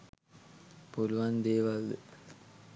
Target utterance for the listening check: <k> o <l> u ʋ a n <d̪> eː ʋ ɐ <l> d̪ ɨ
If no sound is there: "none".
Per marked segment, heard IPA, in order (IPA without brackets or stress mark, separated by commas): p, l, d̪, l